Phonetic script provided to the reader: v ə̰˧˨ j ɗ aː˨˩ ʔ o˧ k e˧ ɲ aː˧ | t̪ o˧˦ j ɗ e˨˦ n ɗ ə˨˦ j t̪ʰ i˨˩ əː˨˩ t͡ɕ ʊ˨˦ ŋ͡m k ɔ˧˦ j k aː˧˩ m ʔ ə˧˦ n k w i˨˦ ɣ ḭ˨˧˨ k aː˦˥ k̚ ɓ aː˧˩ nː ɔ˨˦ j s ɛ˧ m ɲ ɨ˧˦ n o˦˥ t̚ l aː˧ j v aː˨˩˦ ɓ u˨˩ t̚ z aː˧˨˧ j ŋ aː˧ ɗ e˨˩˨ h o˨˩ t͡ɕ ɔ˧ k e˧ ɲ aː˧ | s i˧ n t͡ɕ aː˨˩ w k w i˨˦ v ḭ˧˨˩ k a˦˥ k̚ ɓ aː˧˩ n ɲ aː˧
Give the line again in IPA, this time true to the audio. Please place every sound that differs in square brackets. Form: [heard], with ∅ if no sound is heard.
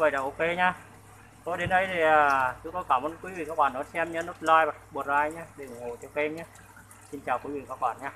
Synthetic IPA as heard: v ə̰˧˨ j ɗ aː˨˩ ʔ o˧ k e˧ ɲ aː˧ | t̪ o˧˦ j ɗ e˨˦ n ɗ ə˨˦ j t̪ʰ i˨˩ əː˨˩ t͡ɕ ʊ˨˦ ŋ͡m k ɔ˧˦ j k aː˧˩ m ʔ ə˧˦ n k w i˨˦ [v] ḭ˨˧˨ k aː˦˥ k̚ ɓ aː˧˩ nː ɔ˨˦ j s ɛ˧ m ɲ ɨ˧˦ n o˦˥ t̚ l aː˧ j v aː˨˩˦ ɓ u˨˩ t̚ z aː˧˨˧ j [ɲ] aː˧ ɗ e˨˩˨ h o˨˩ t͡ɕ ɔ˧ k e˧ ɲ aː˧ | s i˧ n t͡ɕ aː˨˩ w k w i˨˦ v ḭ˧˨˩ k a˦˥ k̚ ɓ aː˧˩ n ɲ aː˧